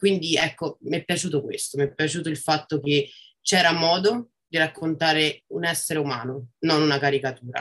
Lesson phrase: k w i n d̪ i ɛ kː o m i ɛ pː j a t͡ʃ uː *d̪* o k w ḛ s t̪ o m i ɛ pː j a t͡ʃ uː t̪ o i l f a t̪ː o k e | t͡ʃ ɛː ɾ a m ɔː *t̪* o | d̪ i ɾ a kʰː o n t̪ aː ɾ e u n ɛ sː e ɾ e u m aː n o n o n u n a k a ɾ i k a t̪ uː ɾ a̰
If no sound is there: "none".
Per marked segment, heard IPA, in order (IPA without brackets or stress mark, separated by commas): t̪, d̪